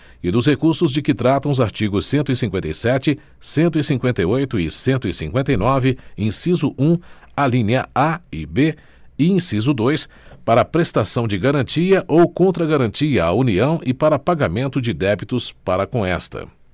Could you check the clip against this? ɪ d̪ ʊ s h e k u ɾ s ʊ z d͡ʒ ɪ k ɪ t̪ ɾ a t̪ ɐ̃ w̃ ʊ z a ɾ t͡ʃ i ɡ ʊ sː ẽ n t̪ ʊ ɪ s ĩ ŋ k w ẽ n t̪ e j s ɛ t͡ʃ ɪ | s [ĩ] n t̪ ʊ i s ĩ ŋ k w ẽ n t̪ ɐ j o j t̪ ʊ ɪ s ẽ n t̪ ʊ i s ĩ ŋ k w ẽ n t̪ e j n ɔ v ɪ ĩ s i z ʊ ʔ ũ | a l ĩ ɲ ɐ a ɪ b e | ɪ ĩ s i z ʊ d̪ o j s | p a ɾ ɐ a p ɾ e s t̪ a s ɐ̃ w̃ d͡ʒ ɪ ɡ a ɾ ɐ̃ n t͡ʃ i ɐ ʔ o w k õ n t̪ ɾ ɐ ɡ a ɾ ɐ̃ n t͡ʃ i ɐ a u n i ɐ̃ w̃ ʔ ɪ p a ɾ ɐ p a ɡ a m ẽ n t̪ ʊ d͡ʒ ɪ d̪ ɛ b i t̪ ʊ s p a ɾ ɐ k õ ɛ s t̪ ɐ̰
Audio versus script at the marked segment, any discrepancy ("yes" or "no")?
yes